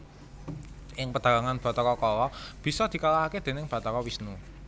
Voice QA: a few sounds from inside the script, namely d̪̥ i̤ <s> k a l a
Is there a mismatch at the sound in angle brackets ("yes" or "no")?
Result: yes